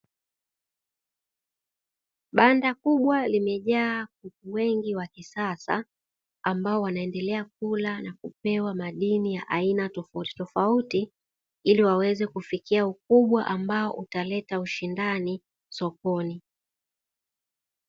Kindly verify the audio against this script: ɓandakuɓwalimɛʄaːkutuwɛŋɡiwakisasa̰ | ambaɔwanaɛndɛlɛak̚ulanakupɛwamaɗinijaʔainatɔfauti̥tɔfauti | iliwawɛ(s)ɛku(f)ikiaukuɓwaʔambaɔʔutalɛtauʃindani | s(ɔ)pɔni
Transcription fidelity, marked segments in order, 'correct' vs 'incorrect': incorrect: z, correct, correct

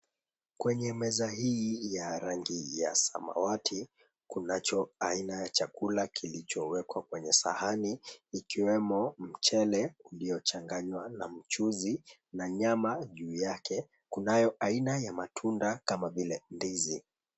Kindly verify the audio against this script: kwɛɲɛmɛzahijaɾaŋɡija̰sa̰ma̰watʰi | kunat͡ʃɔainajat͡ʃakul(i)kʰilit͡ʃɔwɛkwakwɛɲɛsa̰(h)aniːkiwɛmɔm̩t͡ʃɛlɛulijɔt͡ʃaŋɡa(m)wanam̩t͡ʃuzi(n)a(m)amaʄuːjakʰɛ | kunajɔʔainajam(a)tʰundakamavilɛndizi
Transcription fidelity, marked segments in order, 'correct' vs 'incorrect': incorrect: a, correct, incorrect: ɲ, correct, incorrect: ɲ, correct

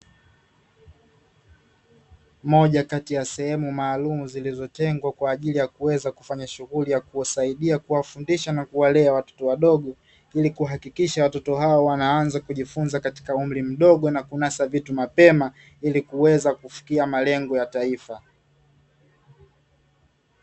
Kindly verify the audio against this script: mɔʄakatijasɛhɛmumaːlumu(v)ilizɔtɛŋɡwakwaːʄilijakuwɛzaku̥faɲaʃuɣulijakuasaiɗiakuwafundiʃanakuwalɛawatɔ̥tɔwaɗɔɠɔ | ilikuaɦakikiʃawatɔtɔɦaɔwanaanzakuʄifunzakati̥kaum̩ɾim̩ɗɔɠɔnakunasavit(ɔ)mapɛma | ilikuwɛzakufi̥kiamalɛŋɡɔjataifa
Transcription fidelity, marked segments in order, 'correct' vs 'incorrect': incorrect: z, incorrect: u

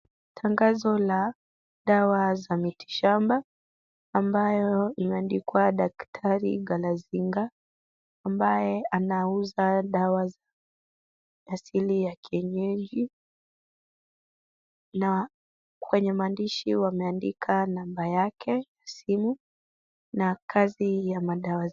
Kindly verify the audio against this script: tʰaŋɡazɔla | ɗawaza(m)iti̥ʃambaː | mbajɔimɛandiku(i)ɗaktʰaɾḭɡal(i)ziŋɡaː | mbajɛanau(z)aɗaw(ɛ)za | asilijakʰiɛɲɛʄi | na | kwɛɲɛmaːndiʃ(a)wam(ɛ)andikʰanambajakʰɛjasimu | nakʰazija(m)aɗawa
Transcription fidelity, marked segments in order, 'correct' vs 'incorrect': correct, incorrect: a, incorrect: a, correct, incorrect: a, incorrect: i, correct, correct

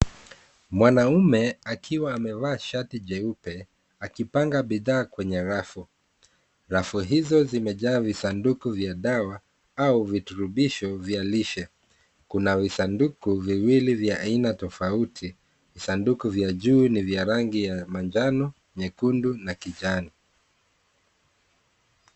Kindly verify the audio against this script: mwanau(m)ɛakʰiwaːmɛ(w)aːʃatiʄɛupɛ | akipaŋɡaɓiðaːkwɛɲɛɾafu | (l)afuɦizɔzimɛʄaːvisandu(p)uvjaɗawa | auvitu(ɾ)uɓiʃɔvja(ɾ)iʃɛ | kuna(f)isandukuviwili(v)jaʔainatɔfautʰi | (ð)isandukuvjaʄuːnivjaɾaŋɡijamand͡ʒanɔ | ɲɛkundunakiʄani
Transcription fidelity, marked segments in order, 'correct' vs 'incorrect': correct, incorrect: v, incorrect: ɾ, incorrect: k, correct, incorrect: l, incorrect: v, correct, incorrect: v

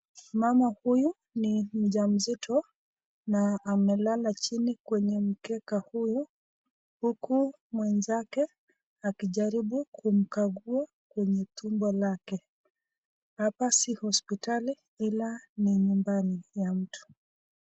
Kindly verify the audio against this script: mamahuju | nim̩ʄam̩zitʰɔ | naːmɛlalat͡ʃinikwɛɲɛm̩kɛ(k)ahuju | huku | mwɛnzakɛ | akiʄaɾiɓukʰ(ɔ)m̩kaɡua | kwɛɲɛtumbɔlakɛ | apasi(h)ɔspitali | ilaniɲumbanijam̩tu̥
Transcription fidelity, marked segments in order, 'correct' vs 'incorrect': correct, incorrect: u, correct

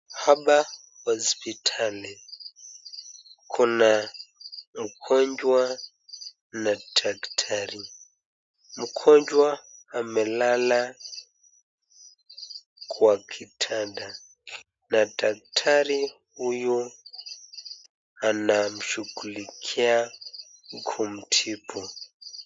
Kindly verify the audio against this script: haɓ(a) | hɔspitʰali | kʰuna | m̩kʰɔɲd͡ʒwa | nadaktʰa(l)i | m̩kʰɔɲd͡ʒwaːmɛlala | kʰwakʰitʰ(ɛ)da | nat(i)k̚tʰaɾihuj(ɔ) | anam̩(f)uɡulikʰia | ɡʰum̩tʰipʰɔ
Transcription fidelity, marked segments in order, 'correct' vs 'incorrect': correct, incorrect: ɾ, incorrect: a, incorrect: a, incorrect: u, incorrect: ʃ

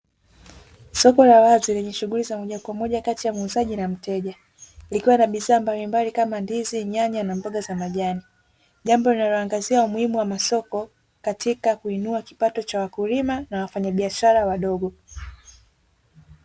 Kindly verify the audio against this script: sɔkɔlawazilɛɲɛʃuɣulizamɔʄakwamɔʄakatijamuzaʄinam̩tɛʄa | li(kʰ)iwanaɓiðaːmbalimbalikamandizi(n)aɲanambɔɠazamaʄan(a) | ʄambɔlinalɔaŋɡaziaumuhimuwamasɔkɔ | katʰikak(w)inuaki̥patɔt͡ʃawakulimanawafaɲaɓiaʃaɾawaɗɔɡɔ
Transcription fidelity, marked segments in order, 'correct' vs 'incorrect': incorrect: k, incorrect: ɲ, incorrect: i, incorrect: u

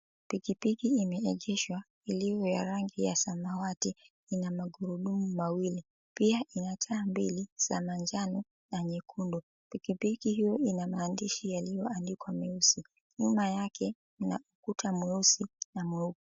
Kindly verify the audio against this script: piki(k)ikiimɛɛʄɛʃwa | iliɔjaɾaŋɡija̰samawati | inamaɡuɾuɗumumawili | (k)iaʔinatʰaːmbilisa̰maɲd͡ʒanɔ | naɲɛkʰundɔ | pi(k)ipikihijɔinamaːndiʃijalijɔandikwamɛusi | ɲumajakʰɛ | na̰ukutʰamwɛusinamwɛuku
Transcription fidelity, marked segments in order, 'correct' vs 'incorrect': incorrect: p, incorrect: p, correct

